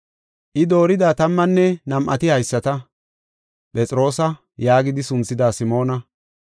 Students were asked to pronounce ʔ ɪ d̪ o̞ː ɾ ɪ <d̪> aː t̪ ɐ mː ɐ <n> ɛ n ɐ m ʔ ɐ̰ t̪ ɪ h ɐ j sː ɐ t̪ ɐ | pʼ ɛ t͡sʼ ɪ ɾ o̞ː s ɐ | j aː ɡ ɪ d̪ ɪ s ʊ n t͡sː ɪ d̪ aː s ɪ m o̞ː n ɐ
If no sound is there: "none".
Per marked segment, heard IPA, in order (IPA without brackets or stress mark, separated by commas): d̪, nː